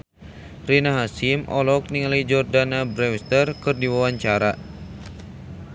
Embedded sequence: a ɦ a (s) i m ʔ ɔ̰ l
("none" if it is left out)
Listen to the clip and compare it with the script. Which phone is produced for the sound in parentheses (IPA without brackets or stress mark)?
s